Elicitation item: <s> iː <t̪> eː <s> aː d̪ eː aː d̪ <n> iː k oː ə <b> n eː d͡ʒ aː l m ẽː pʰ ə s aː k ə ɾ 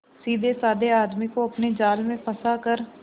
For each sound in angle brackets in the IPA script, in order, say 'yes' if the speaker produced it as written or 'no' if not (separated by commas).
yes, no, yes, no, no